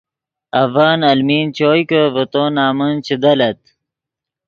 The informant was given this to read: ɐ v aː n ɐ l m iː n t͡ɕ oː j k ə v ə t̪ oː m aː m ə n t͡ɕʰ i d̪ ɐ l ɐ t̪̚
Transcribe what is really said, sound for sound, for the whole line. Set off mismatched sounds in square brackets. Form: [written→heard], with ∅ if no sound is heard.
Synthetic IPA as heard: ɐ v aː n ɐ l m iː n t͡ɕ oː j k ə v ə t̪ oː [m→n] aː m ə n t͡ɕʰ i d̪ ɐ l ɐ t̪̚

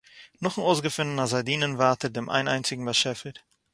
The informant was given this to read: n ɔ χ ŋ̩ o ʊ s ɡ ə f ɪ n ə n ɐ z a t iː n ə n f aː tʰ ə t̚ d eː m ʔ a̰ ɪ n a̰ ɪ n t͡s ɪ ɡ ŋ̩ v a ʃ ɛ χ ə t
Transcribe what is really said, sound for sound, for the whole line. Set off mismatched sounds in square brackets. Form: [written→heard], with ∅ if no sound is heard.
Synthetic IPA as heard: n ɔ χ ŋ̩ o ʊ s ɡ ə f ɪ n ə n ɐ z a [t→d] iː n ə n [f→v] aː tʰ ə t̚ d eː m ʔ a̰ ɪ n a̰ ɪ n t͡s ɪ ɡ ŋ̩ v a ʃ ɛ [χ→f] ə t

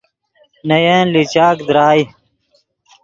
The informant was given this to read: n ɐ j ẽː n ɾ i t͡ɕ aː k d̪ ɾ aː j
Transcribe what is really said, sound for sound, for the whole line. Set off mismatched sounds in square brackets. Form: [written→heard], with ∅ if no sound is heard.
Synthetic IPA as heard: n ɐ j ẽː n [ɾ→l] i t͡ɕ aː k d̪ ɾ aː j

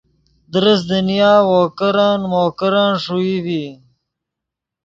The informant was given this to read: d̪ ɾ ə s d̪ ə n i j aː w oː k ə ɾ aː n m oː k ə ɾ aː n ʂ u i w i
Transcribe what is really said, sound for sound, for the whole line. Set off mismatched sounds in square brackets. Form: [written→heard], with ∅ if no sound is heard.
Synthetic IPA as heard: d̪ ɾ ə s d̪ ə n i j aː w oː k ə ɾ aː n m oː k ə ɾ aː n ʂ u i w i

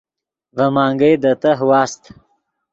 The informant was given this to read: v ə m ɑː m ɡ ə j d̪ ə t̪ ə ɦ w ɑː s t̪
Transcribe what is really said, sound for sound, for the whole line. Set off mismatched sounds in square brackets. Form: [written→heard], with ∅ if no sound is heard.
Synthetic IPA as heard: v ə m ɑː [m→ŋ] ɡ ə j d̪ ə t̪ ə ɦ w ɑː s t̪

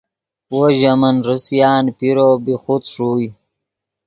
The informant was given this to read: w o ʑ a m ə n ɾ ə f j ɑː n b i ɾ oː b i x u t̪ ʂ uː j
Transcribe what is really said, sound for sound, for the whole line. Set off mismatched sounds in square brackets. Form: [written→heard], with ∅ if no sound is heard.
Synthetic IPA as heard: w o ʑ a m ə n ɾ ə [f→s] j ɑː n [b→p] i ɾ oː b i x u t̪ ʂ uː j

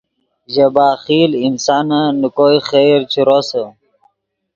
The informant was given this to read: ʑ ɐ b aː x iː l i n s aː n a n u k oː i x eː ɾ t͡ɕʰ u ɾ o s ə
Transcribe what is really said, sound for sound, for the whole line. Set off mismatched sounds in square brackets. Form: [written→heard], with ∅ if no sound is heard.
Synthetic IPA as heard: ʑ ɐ b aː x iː l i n s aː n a n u k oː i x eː ɾ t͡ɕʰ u ɾ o s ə

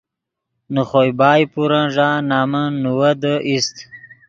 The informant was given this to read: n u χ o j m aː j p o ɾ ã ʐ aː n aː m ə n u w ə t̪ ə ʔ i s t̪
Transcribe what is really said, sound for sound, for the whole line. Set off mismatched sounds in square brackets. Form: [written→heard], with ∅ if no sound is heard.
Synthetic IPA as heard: n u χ o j [m→b] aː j p [o→u] ɾ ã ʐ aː n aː m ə n u w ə [t̪→d̪] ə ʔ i s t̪

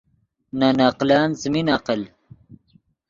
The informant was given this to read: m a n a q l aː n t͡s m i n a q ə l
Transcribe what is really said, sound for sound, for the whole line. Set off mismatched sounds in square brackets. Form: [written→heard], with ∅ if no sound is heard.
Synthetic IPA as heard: [m→n] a n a q l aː n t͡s m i n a q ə l

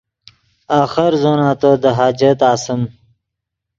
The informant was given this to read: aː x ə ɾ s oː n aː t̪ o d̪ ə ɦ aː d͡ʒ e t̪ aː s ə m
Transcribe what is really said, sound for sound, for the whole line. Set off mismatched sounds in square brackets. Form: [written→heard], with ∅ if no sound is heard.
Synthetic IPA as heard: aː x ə ɾ [s→z] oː n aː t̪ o d̪ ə ɦ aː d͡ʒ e t̪ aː s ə m

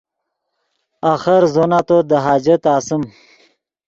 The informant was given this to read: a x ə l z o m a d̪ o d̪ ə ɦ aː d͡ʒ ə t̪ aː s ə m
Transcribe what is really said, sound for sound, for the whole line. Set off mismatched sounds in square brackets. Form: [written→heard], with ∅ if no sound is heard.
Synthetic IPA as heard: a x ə [l→ɾ] z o [m→n] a [d̪→t̪] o d̪ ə ɦ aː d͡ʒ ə t̪ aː s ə m

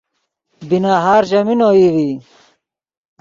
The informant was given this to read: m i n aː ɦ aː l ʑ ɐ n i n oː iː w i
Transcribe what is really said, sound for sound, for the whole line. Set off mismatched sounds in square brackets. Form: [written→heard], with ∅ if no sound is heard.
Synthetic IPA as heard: [m→b] i n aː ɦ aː [l→ɾ] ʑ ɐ [n→m] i n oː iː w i

